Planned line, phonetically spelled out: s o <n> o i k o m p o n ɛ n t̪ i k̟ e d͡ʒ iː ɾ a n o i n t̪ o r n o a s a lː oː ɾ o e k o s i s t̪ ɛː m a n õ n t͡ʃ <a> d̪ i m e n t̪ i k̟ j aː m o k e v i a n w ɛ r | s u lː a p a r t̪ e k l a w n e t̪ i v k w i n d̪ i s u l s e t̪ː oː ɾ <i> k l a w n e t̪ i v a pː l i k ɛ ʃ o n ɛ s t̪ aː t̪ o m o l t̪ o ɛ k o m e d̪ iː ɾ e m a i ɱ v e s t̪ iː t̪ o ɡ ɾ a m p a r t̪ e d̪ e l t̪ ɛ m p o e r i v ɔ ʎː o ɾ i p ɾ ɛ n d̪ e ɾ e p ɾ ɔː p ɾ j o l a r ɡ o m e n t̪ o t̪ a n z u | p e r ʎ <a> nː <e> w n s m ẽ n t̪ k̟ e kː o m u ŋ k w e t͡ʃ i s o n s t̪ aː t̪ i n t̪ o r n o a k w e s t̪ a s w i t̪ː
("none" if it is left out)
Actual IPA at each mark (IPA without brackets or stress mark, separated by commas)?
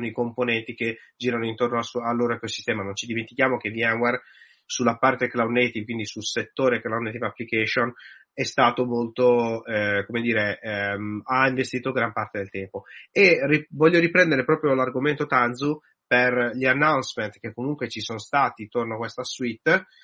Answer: n, i, e, a, a